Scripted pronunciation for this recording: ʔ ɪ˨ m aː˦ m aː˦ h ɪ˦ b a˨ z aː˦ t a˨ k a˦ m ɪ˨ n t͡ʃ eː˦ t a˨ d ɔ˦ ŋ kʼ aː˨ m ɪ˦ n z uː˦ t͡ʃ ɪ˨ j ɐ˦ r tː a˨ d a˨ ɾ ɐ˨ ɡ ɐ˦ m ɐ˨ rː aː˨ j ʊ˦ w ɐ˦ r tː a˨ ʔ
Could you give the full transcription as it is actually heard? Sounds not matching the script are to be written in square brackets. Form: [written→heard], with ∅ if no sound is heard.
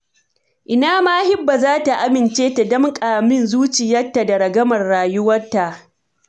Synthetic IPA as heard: ʔ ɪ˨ [m→n] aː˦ m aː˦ h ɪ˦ [b→bː] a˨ z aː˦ t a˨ [k→ʔ] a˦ m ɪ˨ n t͡ʃ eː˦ t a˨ d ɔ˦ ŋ kʼ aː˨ m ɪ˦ n z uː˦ t͡ʃ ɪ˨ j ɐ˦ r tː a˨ d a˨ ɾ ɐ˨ ɡ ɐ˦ m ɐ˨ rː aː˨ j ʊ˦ w ɐ˦ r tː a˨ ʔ